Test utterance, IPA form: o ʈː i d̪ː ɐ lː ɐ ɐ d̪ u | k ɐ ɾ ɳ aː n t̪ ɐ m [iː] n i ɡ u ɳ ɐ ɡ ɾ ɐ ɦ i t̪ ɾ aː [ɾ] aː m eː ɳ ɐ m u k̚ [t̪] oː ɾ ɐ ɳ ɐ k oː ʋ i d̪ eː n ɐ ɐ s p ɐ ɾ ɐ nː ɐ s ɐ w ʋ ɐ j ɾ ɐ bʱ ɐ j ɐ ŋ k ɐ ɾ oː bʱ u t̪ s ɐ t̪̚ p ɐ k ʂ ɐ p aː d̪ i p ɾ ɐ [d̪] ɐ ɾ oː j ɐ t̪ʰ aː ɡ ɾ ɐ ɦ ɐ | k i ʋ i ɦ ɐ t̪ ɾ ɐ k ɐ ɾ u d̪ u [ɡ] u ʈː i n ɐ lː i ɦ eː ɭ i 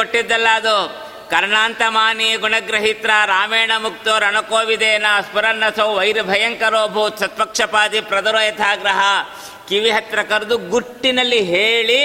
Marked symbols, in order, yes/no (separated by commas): no, yes, yes, yes, yes